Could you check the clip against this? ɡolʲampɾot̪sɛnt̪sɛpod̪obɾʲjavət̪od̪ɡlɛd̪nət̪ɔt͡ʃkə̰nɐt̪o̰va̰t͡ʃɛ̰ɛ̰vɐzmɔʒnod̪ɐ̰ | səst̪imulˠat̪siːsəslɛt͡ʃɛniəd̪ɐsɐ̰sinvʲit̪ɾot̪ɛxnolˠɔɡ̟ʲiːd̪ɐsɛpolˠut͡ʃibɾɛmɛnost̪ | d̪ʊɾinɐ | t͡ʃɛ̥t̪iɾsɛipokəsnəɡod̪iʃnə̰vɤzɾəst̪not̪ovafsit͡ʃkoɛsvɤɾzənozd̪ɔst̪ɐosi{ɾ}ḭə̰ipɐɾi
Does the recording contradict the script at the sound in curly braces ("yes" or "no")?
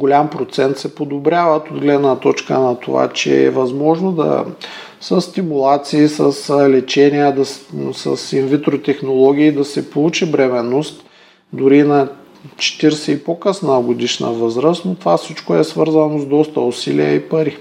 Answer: yes